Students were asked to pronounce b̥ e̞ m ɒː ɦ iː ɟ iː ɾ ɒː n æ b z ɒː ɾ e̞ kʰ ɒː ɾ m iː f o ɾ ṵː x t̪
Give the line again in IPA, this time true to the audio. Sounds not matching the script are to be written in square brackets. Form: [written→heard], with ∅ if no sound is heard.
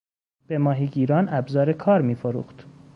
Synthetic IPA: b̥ e̞ m ɒː ɦ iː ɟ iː ɾ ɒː n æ b z ɒː ɾ e̞ kʰ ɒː ɾ m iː f o ɾ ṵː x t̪